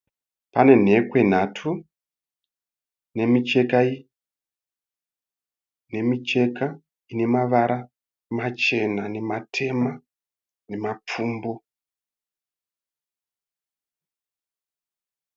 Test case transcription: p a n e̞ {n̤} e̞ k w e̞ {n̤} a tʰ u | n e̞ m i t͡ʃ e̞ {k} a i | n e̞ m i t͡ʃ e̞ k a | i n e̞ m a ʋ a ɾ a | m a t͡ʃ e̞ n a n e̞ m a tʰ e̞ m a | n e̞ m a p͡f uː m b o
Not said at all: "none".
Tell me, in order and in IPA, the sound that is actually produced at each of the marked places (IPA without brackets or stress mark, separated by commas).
n̤, n̤, k